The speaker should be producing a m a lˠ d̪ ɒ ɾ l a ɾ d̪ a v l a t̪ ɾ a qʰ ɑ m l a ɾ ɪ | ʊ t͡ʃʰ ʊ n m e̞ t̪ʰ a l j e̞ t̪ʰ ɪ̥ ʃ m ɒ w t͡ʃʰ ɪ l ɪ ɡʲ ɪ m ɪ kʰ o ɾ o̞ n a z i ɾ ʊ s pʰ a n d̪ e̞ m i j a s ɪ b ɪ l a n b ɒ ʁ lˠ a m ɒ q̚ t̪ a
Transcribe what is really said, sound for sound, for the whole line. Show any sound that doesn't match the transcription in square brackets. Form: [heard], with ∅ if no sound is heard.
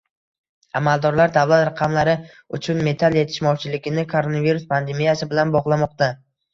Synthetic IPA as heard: a m a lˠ d̪ ɒ ɾ l a ɾ d̪ a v l a t̪ ɾ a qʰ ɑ m l a ɾ ɪ | ʊ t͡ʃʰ ʊ n m e̞ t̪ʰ a l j e̞ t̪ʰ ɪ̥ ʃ m ɒ w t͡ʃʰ ɪ l ɪ ɡʲ ɪ [n] ɪ kʰ o ɾ o̞ n a [v] i ɾ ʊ s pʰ a n d̪ e̞ m i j a s ɪ b ɪ l a n b ɒ ʁ lˠ a m ɒ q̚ t̪ a